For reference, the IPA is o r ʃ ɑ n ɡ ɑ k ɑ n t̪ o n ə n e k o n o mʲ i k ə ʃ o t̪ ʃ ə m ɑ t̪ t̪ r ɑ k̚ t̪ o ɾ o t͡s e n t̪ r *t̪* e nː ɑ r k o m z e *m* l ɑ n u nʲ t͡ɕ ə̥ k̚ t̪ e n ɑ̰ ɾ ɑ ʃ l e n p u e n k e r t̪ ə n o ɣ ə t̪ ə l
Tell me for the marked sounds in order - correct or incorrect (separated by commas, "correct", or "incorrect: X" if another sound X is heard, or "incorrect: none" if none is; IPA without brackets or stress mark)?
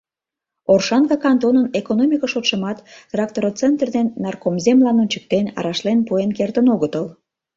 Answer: incorrect: d̪, correct